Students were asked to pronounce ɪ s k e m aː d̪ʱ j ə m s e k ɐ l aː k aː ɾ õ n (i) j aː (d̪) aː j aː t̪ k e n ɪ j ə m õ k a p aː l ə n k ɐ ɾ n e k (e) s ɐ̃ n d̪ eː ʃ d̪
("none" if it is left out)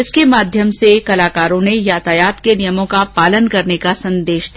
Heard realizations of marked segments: e, t̪, a

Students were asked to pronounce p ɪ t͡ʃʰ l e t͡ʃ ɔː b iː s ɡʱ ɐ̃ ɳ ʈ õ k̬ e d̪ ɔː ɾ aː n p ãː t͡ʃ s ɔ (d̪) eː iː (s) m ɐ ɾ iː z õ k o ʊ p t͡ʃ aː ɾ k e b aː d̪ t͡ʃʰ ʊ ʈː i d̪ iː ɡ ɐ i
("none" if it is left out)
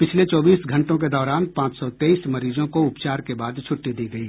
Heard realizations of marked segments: t̪, s

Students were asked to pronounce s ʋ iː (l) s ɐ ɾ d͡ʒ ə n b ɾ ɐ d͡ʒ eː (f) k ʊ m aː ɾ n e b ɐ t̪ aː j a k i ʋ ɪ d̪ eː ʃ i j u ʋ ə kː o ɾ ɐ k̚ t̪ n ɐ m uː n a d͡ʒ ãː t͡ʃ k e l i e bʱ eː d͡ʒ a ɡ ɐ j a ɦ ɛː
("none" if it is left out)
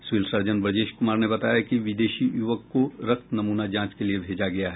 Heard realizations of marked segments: l, ʃ

